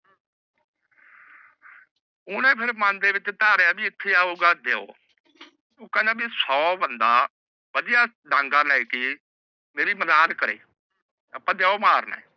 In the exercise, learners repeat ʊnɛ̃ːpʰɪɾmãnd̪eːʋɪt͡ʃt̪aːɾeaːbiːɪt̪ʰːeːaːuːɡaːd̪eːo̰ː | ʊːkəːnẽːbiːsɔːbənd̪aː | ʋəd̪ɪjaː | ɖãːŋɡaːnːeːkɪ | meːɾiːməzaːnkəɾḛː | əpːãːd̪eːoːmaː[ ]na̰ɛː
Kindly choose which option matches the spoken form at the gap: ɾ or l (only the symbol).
ɾ